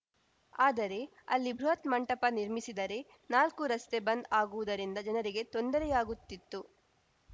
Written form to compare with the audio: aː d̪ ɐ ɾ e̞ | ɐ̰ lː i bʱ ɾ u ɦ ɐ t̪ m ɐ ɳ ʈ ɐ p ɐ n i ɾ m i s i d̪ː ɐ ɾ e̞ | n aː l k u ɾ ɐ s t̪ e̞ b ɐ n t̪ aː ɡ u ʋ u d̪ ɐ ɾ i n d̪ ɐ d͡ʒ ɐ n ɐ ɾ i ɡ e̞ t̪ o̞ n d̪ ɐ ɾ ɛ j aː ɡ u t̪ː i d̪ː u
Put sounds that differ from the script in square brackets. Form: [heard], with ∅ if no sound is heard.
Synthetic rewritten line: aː d̪ ɐ ɾ e̞ | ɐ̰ lː i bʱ ɾ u ɦ ɐ t̪ m ɐ ɳ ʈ ɐ p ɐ n i ɾ m i s i [d̪] ɐ ɾ e̞ | n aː l k u ɾ ɐ s t̪ e̞ b ɐ n [d̪] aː ɡ u ʋ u d̪ ɐ ɾ i n d̪ ɐ d͡ʒ ɐ n ɐ ɾ i ɡ e̞ t̪ o̞ n d̪ ɐ ɾ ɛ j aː ɡ u t̪ː i [t̪ː] u